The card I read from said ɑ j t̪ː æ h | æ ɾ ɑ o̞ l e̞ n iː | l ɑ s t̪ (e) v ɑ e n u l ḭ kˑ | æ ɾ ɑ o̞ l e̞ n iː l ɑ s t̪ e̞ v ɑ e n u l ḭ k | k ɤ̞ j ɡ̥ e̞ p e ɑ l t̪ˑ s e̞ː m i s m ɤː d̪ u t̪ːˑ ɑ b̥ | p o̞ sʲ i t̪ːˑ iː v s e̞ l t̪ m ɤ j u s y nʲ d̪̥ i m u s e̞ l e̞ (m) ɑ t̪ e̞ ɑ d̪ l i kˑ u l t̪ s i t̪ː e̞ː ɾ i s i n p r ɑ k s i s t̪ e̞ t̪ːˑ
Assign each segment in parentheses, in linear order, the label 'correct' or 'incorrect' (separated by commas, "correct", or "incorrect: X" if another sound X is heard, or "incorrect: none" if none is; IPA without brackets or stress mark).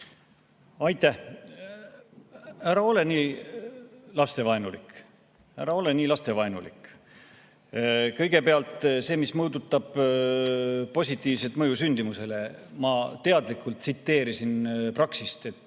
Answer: correct, correct